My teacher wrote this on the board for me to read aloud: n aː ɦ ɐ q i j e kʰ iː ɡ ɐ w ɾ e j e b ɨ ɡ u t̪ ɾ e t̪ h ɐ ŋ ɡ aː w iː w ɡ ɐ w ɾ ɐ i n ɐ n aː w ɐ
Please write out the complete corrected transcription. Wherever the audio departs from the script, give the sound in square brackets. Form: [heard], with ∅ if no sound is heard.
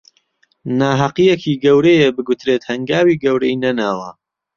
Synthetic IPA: n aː ɦ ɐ q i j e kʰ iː ɡ ɐ w ɾ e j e b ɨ ɡ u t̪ ɾ e t̪ h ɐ ŋ ɡ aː w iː [∅] ɡ ɐ w ɾ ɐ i n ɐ n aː w ɐ